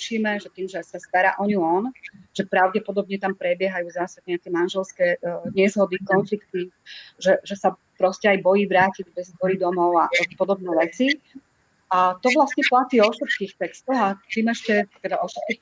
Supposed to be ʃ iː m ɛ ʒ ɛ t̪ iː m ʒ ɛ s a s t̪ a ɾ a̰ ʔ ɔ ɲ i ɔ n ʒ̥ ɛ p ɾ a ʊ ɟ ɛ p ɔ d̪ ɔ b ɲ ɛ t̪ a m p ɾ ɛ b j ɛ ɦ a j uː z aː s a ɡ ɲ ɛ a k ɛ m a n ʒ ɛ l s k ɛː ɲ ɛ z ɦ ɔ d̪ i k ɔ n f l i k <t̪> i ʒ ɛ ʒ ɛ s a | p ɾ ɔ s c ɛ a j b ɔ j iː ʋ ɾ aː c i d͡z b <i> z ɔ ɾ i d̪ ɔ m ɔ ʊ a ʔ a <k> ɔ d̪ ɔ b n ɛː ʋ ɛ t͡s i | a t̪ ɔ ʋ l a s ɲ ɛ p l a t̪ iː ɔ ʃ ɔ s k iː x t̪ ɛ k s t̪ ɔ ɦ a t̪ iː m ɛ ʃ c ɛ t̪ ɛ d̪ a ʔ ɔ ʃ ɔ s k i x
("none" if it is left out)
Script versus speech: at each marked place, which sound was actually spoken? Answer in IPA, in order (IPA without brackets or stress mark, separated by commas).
t̪, ɛ, p